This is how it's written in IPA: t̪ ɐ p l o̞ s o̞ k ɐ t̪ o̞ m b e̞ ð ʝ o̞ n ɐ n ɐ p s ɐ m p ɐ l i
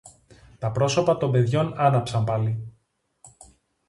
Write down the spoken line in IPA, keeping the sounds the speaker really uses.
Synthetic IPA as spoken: t̪ ɐ p ɾ o̞ s o̞ p ɐ t̪ o̞ m b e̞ ð ʝ o̞ n ɐ n ɐ p s ɐ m p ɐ l i